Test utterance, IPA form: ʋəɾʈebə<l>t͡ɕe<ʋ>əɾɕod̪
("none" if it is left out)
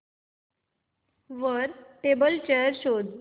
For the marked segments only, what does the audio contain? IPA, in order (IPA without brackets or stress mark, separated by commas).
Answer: l, none